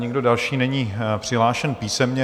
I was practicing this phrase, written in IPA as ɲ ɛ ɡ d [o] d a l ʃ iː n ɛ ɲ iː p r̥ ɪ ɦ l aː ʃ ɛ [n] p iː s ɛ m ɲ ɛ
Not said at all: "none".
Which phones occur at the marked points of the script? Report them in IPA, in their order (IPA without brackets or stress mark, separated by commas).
o, n